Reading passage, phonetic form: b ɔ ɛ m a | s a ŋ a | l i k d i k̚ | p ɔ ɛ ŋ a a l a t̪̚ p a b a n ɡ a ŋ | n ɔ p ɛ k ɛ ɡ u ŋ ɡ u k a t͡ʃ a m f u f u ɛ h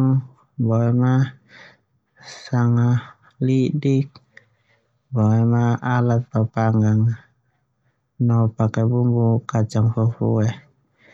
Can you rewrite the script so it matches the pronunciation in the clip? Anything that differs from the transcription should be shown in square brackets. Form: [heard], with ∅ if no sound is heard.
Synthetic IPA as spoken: b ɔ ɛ m a | s a ŋ a | l i [∅] d i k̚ | [b] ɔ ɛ [m] a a l a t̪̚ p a [p] a [ŋ] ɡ a ŋ | n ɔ p [a] k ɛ [b] u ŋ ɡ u k a t͡ʃ a [ŋ] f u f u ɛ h